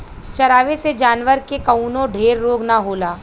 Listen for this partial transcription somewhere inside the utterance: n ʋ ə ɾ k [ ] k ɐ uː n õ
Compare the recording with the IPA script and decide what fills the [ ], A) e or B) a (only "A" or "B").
A